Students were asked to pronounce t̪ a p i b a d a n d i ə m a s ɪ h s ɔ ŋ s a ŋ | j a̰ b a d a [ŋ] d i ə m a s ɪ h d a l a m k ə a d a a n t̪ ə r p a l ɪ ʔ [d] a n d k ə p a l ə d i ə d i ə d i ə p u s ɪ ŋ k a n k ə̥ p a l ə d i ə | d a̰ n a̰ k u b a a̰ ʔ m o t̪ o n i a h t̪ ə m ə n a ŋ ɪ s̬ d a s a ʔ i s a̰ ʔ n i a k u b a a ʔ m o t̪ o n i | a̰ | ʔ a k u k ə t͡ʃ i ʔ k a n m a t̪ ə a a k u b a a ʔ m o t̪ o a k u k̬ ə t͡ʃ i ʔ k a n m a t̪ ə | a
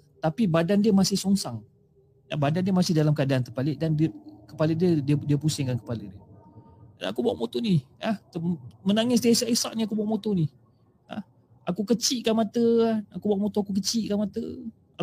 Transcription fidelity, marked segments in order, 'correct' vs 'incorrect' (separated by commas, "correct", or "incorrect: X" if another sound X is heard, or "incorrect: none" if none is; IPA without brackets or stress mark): incorrect: n, correct